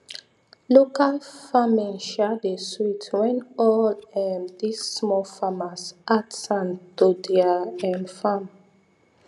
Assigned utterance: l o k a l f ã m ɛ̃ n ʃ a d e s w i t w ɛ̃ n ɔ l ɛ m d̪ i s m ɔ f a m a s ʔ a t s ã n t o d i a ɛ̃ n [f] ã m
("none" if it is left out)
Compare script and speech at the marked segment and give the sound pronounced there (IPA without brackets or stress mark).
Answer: f